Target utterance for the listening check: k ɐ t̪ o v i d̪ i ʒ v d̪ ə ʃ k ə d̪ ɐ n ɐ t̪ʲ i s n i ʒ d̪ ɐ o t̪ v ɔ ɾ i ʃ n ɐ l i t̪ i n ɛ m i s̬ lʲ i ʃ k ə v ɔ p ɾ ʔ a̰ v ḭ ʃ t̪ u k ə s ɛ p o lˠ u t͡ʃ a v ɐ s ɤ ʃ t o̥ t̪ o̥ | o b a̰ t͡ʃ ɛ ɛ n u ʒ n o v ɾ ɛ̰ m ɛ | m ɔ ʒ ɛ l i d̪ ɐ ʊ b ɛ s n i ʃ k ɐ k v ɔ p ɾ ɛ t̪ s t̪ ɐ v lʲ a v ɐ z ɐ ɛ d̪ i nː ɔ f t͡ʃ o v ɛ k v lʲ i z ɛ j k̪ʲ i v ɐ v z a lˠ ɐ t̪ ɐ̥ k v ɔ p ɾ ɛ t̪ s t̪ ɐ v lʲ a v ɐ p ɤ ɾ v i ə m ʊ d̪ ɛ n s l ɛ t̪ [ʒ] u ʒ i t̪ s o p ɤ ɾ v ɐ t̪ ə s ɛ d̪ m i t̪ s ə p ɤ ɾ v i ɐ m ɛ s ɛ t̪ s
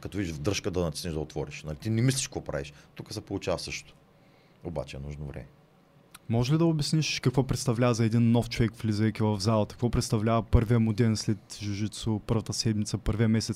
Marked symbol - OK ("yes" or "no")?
yes